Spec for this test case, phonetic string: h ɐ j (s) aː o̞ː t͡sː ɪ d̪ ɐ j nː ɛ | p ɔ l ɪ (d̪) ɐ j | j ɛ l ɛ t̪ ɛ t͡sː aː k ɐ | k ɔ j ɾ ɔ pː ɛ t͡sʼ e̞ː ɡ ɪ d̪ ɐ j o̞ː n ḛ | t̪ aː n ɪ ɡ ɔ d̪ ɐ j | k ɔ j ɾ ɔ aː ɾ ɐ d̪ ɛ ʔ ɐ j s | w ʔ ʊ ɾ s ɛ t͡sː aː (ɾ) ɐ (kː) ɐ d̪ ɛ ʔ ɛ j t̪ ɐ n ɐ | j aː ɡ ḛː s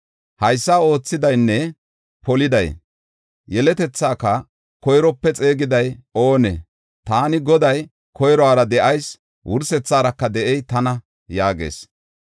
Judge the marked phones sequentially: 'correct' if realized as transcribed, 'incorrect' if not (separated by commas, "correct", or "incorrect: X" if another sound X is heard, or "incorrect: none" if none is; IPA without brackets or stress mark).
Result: incorrect: sː, correct, correct, correct